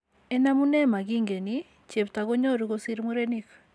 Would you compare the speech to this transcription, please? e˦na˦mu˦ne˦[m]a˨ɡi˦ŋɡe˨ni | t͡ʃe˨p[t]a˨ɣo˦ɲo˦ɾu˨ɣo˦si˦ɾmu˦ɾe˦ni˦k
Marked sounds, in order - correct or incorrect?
correct, correct

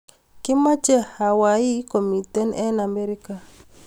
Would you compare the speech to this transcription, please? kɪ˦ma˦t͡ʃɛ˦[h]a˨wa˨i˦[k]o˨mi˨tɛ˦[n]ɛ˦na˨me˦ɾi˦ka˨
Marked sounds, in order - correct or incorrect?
correct, correct, correct

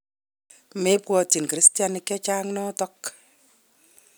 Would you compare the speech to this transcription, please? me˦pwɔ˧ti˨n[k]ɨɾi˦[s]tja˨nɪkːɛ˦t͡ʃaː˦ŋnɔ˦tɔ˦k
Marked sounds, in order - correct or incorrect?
correct, correct

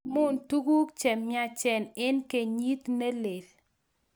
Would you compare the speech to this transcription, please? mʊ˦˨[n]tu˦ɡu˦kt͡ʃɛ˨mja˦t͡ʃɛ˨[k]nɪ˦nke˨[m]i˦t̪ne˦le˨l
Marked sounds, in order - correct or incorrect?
correct, incorrect: none, incorrect: ɲ

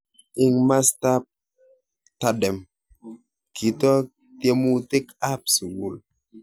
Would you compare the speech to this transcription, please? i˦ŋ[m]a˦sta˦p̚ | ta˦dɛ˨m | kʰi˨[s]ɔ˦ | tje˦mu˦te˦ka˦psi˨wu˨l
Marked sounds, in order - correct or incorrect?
correct, incorrect: t

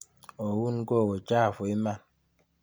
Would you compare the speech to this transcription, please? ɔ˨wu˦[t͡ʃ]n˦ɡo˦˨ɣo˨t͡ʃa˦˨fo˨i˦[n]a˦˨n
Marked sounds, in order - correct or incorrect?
incorrect: none, incorrect: m

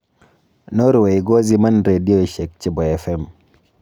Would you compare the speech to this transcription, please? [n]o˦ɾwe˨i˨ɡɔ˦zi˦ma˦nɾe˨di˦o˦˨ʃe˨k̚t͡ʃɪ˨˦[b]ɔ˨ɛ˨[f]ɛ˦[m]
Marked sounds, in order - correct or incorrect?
correct, correct, correct, correct

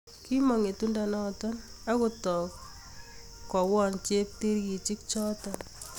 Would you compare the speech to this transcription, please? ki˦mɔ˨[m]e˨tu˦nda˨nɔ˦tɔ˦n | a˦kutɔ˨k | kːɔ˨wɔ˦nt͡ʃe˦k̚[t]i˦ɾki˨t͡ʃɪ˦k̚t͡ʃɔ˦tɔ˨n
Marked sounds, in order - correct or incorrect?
incorrect: ŋ, correct

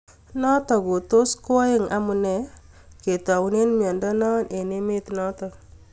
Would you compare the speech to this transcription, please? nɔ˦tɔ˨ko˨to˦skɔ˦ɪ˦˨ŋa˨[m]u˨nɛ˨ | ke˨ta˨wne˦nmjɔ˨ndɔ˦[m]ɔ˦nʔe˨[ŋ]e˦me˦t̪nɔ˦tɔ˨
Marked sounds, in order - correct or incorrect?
correct, incorrect: n, incorrect: n

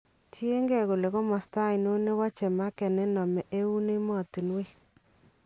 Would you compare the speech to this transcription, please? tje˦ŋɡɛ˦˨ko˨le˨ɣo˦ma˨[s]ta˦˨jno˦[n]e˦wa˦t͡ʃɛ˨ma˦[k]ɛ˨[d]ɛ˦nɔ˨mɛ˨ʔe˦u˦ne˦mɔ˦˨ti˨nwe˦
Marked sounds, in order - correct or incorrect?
correct, correct, correct, incorrect: n

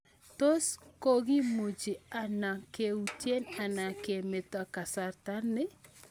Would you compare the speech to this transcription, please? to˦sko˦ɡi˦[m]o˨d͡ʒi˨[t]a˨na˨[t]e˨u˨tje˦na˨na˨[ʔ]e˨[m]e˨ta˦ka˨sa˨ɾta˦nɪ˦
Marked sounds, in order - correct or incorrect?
correct, incorrect: none, incorrect: k, incorrect: k, correct

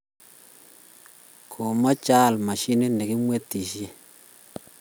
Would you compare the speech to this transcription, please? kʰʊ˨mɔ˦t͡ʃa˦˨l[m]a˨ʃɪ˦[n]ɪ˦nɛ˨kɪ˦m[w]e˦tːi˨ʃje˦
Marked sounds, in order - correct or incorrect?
correct, correct, correct

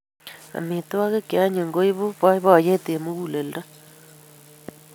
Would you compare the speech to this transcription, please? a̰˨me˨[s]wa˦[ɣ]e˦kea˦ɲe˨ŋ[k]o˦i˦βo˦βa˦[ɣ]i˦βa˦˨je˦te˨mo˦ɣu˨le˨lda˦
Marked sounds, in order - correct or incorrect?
incorrect: t, correct, incorrect: ɡ, incorrect: none

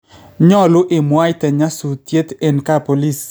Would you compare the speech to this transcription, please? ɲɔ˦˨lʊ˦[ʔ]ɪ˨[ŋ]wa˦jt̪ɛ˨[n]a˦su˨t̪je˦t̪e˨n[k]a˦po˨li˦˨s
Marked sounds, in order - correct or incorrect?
correct, incorrect: m, incorrect: ɲ, correct

